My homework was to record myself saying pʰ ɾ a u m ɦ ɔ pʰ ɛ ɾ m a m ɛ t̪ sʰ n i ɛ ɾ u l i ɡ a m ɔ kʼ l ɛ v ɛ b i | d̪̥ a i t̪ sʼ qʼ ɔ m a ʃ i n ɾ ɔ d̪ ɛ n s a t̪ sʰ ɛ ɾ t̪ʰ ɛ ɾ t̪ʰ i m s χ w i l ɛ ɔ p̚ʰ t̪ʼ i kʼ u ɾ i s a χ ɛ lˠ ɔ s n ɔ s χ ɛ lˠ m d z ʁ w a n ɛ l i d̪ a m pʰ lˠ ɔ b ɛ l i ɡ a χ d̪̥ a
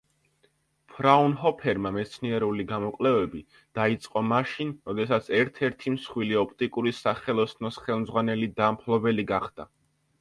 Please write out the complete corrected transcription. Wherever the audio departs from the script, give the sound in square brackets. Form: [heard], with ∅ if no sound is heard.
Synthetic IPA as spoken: pʰ ɾ a u [n] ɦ ɔ pʰ ɛ ɾ m a m ɛ t̪ sʰ n i ɛ ɾ u l i ɡ a m ɔ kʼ l ɛ v ɛ b i | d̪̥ a i t̪ sʼ qʼ ɔ m a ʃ i n ɾ ɔ d̪ ɛ [∅] s a t̪ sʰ ɛ ɾ t̪ʰ ɛ ɾ t̪ʰ i m s χ w i l [i] ɔ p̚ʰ t̪ʼ i kʼ u ɾ i s a χ ɛ lˠ ɔ s n ɔ s χ ɛ lˠ m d z ʁ w a n ɛ l i d̪ a m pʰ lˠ ɔ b ɛ l i ɡ a χ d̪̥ a